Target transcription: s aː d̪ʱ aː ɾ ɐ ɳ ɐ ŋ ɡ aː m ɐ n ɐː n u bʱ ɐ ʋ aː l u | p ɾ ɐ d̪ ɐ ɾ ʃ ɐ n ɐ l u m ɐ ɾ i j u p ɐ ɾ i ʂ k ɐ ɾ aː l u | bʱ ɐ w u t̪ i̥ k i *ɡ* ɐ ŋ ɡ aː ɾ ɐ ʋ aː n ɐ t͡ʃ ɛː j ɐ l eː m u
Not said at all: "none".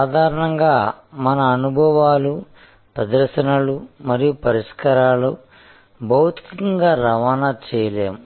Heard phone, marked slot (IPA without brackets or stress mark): k